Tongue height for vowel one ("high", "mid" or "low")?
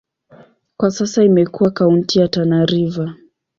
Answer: low